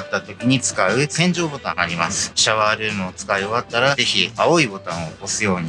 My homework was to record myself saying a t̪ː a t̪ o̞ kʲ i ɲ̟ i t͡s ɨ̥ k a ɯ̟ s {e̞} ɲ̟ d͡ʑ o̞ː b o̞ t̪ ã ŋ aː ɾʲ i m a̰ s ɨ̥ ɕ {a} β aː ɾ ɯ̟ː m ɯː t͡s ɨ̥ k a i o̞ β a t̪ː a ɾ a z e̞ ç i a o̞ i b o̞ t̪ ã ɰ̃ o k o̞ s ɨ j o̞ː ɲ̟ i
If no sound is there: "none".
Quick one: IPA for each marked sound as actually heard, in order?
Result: ẽ̞, a

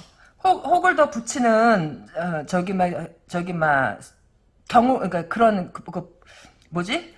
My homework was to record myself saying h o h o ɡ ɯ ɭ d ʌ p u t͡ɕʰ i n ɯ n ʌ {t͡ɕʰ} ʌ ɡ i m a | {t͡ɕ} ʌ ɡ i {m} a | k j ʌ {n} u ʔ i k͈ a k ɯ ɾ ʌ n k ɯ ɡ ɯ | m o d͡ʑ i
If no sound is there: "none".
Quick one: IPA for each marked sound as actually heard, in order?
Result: t͡ɕ, t͡ɕ, m, ŋ

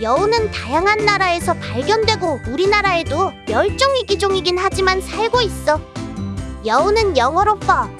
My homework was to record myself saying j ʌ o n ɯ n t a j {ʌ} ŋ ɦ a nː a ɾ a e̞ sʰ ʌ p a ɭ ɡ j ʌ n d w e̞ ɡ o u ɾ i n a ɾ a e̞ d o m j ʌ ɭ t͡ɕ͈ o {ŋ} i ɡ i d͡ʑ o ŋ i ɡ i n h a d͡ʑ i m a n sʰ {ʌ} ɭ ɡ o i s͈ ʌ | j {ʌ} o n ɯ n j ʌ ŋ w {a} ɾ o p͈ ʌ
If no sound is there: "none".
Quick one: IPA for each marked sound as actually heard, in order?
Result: a, ŋ, a, ʌ, ʌ

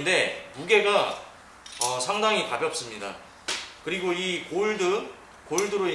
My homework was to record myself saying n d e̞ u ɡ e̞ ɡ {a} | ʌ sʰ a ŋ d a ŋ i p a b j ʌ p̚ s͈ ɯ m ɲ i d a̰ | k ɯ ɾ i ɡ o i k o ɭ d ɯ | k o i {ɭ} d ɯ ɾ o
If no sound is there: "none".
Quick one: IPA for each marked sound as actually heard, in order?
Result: a, ɭ

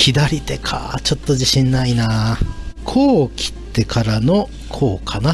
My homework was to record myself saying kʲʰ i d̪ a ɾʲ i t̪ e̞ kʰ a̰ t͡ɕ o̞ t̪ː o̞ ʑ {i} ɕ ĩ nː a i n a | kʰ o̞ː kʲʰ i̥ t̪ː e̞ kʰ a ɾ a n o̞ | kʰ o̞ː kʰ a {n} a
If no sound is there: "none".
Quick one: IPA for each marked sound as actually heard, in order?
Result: i, n

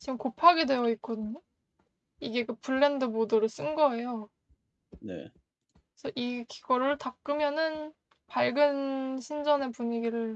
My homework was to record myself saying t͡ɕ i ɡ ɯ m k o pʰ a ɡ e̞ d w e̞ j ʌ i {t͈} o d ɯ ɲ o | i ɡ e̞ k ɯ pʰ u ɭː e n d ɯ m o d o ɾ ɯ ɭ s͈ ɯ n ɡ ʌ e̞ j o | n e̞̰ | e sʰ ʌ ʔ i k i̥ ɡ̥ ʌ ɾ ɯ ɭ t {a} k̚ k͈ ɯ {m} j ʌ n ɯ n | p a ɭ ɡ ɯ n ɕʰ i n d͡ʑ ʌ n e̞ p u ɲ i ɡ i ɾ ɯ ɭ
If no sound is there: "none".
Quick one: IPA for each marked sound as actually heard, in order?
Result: k͈, a, m

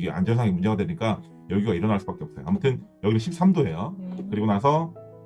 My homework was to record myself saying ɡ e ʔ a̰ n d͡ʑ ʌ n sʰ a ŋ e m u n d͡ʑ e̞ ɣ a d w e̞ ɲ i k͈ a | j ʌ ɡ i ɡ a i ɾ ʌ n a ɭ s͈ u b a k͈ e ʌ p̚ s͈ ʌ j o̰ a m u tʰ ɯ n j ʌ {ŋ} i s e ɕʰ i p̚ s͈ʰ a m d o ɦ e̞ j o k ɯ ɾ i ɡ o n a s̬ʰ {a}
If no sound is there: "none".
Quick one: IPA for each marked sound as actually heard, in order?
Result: ɡ, ʌ

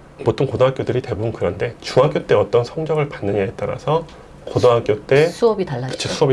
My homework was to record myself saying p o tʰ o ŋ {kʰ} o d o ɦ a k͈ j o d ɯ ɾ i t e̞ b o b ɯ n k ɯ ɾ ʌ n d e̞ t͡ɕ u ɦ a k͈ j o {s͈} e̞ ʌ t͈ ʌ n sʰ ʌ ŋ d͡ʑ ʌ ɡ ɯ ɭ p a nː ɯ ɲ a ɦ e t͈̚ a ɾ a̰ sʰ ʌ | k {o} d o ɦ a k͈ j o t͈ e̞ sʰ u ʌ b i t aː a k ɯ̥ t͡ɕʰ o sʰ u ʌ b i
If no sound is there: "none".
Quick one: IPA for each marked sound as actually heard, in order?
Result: k, t͈, o

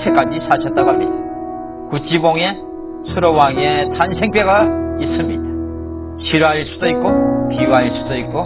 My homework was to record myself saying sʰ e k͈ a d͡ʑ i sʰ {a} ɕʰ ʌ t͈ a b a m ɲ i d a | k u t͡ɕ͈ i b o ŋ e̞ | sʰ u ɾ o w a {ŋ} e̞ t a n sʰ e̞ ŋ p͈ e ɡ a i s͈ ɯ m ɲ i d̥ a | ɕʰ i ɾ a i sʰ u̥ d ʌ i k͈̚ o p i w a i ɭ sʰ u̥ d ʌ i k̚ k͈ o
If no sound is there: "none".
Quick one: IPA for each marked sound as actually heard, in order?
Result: a, ŋ

